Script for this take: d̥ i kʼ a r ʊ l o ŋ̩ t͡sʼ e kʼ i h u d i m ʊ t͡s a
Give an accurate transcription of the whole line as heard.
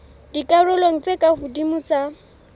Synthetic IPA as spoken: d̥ i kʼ a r ʊ l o ŋ̩ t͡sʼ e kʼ a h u d i m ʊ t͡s a